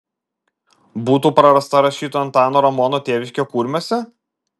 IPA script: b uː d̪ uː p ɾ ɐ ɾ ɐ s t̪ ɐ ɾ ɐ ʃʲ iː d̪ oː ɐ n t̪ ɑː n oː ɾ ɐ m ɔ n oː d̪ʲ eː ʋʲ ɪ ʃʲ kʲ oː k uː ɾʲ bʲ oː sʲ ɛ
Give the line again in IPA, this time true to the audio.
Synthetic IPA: b uː t̪ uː p ɾ ɐ ɾ ɐ s t̪ ɐ ɾ ɐ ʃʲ iː t̪ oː ɐ n t̪ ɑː n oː ɾ ɐ m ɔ n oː t̪ʲ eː ʋʲ ɪ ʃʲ kʲ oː k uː ɾʲ mʲ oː sʲ ɛ